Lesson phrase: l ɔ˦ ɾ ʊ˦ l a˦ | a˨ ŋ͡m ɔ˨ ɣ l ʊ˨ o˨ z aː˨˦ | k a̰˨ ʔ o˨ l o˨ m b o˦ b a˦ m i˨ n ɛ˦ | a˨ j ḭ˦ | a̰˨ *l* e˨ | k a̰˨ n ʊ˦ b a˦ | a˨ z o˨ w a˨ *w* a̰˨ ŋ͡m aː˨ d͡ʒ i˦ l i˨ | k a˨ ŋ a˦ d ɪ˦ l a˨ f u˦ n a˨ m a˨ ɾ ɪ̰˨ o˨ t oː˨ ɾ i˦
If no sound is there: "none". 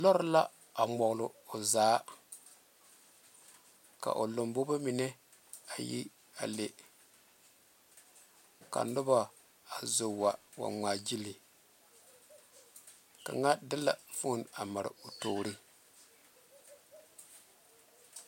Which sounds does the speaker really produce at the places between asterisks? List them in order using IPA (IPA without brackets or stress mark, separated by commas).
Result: l, w